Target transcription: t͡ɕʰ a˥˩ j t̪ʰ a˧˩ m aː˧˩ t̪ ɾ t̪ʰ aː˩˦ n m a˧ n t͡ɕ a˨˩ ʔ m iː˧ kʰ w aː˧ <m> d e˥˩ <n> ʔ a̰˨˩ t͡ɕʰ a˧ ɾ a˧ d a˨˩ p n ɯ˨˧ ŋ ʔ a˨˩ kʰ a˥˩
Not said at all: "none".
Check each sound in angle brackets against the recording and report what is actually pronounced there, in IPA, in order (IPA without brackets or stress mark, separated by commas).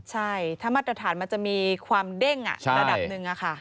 m, ŋ